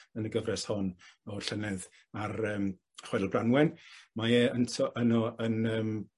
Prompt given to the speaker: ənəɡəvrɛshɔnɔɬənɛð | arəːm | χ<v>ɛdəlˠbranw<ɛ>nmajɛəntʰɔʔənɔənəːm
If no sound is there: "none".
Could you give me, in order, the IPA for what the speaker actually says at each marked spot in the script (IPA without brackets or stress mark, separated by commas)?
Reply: w, ɛ